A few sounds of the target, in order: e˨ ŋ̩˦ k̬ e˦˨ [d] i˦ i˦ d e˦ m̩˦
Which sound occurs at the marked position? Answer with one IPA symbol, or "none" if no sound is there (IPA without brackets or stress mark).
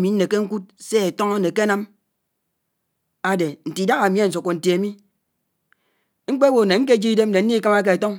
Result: d͡ʒ